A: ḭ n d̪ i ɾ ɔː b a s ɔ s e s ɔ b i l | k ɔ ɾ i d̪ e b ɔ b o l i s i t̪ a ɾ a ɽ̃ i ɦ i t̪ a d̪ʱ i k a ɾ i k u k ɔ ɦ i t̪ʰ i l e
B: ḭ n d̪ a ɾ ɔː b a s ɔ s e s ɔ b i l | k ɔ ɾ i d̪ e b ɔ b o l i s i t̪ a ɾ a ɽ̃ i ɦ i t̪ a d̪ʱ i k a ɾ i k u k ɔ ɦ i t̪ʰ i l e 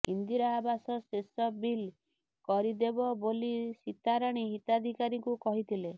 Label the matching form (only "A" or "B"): A